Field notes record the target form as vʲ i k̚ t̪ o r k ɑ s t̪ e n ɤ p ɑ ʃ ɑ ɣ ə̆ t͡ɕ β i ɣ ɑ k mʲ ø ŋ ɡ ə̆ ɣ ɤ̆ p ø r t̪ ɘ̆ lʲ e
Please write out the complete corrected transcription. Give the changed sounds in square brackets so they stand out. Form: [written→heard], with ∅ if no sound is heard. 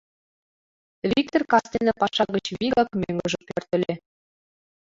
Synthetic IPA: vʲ i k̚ t̪ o r k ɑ s t̪ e n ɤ p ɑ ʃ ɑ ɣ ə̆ t͡ɕ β i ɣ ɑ k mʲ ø ŋ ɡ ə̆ [ɣ→ʒ] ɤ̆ p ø r t̪ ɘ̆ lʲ e

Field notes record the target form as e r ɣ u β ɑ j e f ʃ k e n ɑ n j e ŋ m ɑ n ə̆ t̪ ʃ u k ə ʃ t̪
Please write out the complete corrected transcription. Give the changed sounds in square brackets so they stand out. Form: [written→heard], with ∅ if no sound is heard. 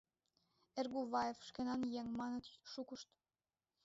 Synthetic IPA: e r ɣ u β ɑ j e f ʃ k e n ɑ n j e ŋ m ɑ n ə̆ t̪ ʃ u k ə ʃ t̪

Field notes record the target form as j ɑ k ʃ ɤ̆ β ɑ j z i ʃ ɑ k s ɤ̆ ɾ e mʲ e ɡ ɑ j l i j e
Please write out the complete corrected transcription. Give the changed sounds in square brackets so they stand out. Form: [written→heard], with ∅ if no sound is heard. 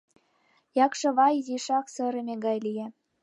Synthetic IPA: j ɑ k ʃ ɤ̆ β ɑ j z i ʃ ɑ k s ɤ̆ ɾ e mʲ e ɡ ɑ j l i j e

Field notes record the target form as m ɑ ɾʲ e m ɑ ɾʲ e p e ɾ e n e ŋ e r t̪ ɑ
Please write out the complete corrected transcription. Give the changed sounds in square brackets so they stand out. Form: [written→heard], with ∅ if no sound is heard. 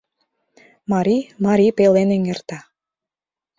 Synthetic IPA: m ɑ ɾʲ [e→i] m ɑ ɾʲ [e→i] p e [ɾ→l] e n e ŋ e r t̪ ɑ

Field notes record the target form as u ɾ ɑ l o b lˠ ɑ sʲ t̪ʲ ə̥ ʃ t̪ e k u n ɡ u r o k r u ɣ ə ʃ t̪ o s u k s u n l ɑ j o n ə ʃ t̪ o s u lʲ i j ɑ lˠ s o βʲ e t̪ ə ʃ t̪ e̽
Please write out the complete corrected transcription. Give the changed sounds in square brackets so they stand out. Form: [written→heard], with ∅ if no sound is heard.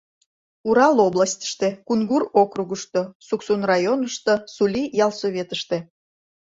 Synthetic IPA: u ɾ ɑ l o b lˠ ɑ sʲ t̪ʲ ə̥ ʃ t̪ e k u n ɡ u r o k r u ɣ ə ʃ t̪ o s u k s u n [l→r] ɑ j o n ə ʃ t̪ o s u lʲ i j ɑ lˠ s o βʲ e t̪ ə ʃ t̪ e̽

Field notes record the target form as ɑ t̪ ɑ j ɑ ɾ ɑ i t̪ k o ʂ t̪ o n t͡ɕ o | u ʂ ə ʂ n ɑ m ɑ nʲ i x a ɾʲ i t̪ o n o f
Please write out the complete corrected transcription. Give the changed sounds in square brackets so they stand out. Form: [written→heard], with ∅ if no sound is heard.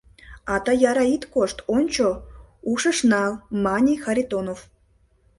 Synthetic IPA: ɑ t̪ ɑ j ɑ ɾ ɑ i t̪ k o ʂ t̪ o n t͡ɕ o | u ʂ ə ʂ n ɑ m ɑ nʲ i x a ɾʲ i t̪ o n o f

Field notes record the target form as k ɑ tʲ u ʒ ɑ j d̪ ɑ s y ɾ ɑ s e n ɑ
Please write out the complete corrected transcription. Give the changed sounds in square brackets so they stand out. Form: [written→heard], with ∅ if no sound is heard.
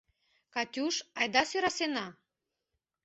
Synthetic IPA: k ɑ tʲ u [ʒ→ʃ] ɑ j d̪ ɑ s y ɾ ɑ s e n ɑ

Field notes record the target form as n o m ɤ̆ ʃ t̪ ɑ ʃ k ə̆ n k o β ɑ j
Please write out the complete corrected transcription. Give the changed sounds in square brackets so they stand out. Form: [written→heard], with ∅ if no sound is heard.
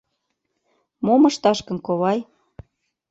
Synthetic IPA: [n→m] o m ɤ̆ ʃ t̪ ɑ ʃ k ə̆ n k o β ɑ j

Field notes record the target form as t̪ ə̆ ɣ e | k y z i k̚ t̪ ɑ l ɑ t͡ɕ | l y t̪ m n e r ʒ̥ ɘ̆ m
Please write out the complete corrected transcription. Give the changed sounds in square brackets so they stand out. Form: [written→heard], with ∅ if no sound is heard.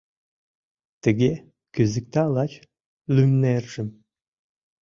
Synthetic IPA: t̪ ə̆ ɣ e | k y z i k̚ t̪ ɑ l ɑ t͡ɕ | l y [t̪→∅] m n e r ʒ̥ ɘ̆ m

